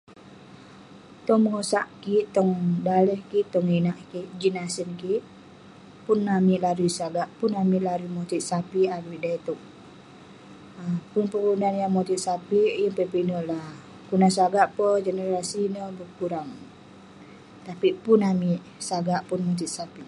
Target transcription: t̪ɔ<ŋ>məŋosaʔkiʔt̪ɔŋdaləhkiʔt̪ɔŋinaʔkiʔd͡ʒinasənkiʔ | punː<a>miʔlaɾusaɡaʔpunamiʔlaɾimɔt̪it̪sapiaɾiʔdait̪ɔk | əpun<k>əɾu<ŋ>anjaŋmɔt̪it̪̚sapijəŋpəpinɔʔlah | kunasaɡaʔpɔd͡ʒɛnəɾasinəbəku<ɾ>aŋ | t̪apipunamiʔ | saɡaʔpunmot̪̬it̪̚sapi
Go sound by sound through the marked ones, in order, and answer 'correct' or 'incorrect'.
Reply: correct, correct, incorrect: p, incorrect: n, correct

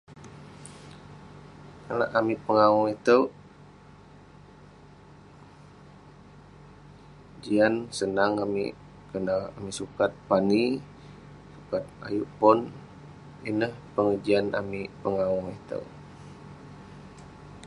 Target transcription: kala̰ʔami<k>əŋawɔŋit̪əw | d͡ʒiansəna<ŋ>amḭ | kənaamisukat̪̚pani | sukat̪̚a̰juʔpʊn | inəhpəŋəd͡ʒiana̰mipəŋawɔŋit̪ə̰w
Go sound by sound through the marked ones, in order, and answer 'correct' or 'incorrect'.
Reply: incorrect: p, correct

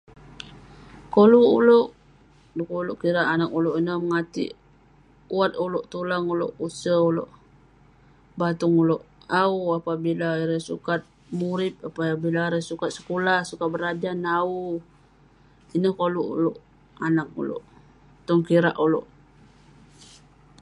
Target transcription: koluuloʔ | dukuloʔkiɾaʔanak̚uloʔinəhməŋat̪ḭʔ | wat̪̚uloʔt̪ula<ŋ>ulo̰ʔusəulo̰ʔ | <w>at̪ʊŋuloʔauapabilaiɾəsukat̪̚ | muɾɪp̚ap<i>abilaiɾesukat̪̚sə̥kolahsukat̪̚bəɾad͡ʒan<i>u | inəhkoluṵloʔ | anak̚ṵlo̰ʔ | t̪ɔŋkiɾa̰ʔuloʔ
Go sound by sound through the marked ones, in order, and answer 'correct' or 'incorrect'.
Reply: correct, incorrect: b, incorrect: a, incorrect: a

